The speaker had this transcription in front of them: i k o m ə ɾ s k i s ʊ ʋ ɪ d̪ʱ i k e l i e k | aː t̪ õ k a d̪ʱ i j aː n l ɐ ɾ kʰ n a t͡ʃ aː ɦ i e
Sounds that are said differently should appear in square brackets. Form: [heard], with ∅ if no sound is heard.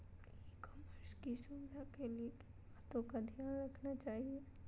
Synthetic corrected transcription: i k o m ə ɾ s k i s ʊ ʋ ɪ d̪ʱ [a] k e l i e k | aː t̪ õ k a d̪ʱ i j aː n [ɾ] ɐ [∅] kʰ n a t͡ʃ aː ɦ i e